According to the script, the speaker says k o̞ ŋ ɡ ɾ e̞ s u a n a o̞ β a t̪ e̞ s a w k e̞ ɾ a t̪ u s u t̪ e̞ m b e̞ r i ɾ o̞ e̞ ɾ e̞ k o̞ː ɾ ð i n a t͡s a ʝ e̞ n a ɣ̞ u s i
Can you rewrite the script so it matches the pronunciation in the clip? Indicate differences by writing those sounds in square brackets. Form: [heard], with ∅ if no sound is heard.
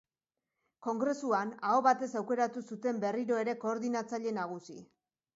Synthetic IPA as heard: k o̞ ŋ ɡ ɾ e̞ s u a n a o̞ β a t̪ e̞ s a w k e̞ ɾ a t̪ u s u t̪ e̞ m b e̞ r i ɾ o̞ e̞ ɾ e̞ k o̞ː ɾ ð i n a t͡s a [ʎ] e̞ n a ɣ̞ u s i